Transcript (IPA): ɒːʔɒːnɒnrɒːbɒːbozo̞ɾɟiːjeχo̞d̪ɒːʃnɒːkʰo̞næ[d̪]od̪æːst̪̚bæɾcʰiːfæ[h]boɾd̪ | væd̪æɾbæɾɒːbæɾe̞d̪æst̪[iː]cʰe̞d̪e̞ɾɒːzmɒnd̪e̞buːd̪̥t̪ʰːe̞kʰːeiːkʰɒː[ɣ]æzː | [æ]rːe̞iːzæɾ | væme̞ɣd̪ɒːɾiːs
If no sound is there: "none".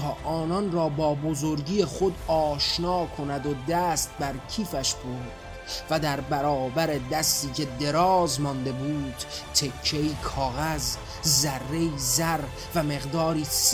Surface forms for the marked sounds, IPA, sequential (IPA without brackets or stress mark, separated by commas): d̪, ʃ, iː, ɣ, æ